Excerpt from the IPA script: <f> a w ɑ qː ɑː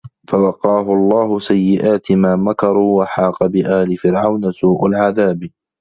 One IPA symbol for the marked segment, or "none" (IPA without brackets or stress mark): f